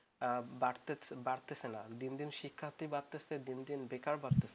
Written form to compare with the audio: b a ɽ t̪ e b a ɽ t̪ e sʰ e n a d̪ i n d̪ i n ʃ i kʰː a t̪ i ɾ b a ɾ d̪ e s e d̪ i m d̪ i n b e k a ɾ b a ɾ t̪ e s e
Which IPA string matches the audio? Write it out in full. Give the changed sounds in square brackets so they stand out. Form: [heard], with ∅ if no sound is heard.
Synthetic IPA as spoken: b a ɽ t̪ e b a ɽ t̪ e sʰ e n a d̪ i n d̪ i n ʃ i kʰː a t̪ i [∅] b a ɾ [t̪] e s e d̪ i [n] d̪ i n b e k a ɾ b a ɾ t̪ e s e